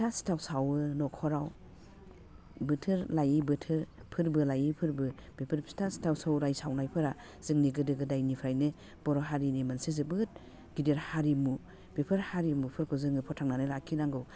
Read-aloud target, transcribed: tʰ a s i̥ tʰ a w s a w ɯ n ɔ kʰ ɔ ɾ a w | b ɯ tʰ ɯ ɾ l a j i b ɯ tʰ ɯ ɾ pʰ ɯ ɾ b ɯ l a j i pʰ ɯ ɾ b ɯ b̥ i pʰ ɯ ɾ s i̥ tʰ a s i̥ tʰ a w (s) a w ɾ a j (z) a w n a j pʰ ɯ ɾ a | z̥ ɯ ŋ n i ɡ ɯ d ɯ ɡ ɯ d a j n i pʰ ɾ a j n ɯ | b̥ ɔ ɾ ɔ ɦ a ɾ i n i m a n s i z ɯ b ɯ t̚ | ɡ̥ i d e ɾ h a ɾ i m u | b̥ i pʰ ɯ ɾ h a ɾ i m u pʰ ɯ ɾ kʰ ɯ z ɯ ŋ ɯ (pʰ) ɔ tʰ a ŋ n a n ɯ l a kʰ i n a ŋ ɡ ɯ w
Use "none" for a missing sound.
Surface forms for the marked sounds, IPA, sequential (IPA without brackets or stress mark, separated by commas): s, s, pʰ